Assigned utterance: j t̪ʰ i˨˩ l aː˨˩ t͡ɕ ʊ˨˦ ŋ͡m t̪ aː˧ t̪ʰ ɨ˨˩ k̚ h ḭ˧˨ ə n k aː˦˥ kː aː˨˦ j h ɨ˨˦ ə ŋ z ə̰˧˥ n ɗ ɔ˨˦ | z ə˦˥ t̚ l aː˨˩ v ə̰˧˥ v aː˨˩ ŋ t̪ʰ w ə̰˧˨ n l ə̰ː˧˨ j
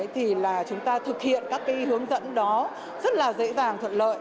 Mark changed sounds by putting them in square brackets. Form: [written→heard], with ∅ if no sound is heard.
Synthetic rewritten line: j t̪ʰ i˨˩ l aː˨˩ t͡ɕ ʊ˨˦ ŋ͡m t̪ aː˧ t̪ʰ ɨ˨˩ k̚ h ḭ˧˨ ə n k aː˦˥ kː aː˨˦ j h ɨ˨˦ ə ŋ z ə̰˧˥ n ɗ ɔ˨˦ | z ə˦˥ t̚ l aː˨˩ [v→z] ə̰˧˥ [v→z] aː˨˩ ŋ t̪ʰ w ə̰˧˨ n l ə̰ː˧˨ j